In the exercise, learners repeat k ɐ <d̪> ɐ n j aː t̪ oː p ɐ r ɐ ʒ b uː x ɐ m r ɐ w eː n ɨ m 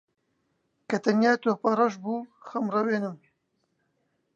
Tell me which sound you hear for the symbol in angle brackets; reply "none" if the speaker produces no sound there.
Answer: t̪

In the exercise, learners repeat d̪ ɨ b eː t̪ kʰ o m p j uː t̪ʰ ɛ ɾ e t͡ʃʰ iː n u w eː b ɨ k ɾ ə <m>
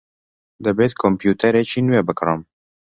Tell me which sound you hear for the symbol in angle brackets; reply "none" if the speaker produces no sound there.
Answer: m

